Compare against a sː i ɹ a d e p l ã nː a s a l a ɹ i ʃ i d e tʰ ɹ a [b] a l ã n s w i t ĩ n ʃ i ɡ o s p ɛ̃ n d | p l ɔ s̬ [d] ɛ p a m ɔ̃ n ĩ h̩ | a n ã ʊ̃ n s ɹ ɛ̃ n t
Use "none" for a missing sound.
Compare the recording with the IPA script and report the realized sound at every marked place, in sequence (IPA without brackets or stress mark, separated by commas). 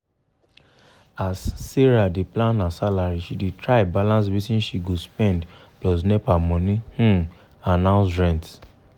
b, n